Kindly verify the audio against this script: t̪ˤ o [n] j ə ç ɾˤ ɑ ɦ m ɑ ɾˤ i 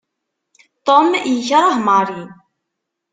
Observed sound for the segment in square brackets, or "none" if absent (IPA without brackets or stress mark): m